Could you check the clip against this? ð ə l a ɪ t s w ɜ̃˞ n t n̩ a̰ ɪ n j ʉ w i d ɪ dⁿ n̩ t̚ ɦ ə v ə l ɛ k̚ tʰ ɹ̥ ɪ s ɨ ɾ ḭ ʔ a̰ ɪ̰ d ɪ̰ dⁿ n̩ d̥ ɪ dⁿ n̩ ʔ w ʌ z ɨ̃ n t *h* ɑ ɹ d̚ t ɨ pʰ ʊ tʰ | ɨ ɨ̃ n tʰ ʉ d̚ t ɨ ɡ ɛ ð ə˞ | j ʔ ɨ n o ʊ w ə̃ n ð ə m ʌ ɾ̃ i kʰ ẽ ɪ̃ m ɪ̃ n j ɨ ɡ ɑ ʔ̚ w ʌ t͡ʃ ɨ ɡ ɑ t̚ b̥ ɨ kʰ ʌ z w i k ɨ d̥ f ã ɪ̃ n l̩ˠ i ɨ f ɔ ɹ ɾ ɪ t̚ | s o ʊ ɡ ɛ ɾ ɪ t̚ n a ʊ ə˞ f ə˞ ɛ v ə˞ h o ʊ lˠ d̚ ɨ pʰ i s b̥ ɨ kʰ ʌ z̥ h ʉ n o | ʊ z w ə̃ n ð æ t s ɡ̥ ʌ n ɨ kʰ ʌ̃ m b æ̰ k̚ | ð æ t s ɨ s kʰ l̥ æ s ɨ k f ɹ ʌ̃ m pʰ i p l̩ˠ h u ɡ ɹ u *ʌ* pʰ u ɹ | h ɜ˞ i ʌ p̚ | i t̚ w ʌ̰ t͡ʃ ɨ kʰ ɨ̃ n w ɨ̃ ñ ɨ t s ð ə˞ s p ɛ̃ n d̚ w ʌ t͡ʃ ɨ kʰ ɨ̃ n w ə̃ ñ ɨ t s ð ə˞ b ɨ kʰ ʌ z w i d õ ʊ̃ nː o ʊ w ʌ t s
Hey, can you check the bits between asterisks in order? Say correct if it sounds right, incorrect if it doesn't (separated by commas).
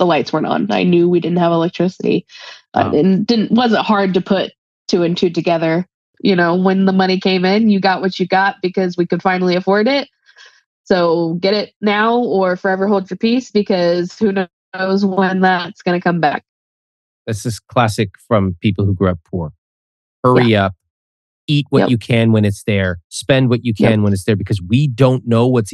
correct, correct